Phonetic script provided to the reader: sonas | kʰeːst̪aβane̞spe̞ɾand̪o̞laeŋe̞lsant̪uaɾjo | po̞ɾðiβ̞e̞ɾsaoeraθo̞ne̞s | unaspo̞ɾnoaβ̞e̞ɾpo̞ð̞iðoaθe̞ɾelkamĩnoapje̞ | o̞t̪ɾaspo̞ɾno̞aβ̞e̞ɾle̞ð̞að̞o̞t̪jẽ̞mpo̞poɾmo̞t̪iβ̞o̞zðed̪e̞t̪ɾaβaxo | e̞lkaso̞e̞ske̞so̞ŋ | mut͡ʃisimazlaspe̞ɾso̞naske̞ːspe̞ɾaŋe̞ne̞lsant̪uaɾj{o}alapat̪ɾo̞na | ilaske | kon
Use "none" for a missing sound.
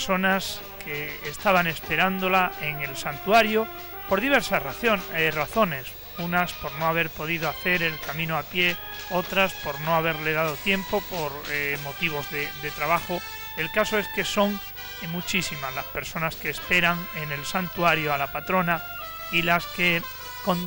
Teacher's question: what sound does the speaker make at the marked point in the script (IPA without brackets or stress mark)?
o